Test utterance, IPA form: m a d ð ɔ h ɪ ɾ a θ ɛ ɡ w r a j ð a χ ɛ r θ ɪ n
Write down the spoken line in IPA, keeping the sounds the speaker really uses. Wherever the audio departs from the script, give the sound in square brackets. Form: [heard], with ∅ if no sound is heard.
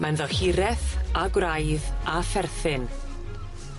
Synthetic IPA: m a [n] ð ɔ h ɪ ɾ [ɛ] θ [a] ɡ w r a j ð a [f] ɛ r θ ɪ n